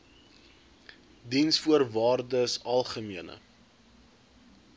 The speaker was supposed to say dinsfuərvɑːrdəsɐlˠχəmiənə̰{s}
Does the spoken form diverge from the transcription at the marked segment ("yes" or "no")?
yes